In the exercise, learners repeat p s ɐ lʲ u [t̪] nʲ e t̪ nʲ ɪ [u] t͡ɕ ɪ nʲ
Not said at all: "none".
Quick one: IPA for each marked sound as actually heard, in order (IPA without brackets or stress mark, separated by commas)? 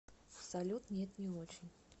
t̪, o